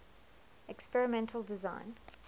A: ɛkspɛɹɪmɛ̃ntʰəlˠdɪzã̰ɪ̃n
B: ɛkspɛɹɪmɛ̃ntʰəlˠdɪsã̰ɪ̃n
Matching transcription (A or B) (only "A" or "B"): A